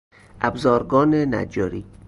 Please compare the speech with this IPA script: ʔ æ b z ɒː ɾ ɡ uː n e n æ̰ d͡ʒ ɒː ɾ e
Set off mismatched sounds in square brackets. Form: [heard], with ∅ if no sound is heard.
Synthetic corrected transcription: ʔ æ b z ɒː ɾ ɡ [ɒː] n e n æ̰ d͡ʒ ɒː ɾ [i]

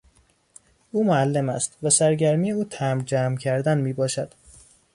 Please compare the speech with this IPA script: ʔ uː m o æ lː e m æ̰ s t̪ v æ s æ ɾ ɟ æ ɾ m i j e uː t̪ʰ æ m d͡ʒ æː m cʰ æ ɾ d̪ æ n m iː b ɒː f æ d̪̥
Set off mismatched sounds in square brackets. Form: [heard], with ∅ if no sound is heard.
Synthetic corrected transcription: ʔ uː m o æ lː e m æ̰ s t̪ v æ s æ ɾ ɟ æ ɾ m i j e uː t̪ʰ æ m d͡ʒ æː m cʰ æ ɾ d̪ æ n m iː b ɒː [ʃ] æ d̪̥

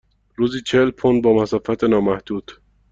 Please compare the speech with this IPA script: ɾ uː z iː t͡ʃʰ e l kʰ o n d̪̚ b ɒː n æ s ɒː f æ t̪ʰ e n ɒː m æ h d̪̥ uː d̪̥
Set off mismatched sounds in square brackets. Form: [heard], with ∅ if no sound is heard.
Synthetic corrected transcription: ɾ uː z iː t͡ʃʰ e l [pʰ] o n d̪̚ b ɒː [m] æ s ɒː f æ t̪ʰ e n ɒː m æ h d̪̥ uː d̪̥

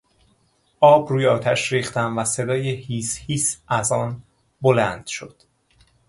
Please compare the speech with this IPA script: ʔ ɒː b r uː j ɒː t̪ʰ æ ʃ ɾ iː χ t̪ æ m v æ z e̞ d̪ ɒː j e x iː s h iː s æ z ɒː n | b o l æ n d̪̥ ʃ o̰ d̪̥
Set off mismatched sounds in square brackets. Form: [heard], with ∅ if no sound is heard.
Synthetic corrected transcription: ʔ ɒː b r uː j ɒː t̪ʰ æ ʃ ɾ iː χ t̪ æ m v æ [s] e̞ d̪ ɒː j e [h] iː s h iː s æ z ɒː n | b o l æ n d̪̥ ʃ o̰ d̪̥

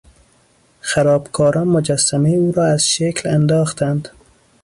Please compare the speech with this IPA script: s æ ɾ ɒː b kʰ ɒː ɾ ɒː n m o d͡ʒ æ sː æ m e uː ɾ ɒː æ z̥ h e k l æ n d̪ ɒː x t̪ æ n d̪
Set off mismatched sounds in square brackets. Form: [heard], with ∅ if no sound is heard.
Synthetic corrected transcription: [x] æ ɾ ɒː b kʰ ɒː ɾ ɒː n m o d͡ʒ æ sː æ m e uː ɾ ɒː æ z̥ [ʃ] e k l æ n d̪ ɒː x t̪ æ n d̪

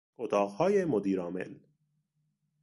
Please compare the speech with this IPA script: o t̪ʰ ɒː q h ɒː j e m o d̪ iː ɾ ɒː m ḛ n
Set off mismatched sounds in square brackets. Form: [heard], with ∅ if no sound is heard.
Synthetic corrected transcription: o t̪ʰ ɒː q h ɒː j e m o d̪ iː ɾ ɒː m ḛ n

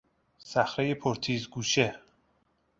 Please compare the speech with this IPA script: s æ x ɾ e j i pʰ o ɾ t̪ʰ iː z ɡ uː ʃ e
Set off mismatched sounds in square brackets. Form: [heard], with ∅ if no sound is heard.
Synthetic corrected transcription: s æ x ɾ e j [e] pʰ o ɾ t̪ʰ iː z ɡ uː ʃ e

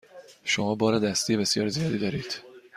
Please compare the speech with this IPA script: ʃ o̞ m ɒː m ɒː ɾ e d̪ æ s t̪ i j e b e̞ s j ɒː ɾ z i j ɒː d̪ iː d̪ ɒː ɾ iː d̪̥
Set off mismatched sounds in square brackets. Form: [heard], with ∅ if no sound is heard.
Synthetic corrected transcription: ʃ o̞ m ɒː [b] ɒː ɾ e d̪ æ s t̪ i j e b e̞ s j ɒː ɾ z i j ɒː d̪ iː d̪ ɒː ɾ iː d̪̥

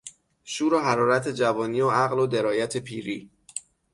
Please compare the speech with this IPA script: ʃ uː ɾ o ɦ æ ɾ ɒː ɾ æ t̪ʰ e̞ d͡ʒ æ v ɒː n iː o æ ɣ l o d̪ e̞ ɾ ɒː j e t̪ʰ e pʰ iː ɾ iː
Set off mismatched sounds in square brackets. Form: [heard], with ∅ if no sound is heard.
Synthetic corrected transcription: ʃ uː ɾ o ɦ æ ɾ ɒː ɾ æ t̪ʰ e̞ d͡ʒ æ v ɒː n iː o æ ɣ l o d̪ e̞ ɾ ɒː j [æ] t̪ʰ e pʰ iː ɾ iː

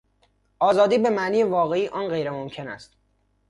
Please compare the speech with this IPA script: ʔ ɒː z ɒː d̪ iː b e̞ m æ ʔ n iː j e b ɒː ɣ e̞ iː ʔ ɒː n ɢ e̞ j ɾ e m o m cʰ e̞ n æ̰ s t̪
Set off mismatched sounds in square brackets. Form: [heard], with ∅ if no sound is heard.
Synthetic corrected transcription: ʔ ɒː z ɒː d̪ iː b e̞ m æ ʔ n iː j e [v] ɒː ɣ e̞ iː ʔ ɒː n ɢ e̞ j ɾ e m o m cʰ e̞ n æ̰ s t̪

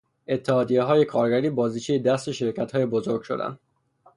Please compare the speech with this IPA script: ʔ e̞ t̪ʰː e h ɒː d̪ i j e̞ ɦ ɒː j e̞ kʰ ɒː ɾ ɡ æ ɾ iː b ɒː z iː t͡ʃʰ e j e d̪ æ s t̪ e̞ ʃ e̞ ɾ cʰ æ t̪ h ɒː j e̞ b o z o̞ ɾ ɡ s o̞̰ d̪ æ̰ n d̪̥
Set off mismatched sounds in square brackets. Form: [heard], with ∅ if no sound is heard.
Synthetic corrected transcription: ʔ e̞ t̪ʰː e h ɒː d̪ i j e̞ ɦ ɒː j e̞ kʰ ɒː ɾ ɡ æ ɾ iː b ɒː z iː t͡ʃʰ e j e d̪ æ s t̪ e̞ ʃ e̞ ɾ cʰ æ t̪ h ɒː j e̞ b o z o̞ ɾ ɡ [ʃ] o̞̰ d̪ æ̰ n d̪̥

